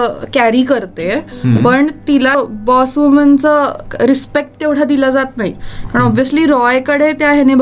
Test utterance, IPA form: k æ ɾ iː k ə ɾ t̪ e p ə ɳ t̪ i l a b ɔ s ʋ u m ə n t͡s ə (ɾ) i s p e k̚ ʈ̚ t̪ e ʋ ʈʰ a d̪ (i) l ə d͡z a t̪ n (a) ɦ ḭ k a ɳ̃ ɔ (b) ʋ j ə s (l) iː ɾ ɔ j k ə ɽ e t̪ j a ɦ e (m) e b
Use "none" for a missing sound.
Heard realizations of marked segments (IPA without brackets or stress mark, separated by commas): ɾ, i, a, b, l, n